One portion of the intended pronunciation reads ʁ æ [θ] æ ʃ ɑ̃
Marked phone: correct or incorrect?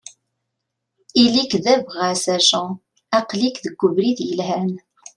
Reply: incorrect